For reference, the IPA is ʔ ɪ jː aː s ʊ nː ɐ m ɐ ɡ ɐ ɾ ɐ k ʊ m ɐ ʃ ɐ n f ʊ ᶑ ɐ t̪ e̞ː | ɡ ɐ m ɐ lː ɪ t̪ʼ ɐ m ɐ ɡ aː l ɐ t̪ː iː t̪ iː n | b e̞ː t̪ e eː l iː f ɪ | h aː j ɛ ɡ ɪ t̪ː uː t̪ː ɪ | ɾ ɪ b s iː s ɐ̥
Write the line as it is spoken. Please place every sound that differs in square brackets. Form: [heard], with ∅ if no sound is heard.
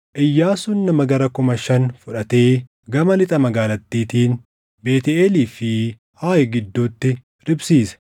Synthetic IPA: ʔ ɪ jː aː s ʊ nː ɐ m ɐ ɡ ɐ ɾ ɐ k ʊ m ɐ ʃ ɐ n f ʊ ᶑ ɐ t̪ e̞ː | ɡ ɐ m ɐ [l] ɪ t̪ʼ ɐ m ɐ ɡ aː l ɐ t̪ː iː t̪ iː n | b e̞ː t̪ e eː l iː f ɪ | h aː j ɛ ɡ ɪ [d̪ː] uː t̪ː ɪ | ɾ ɪ b s iː s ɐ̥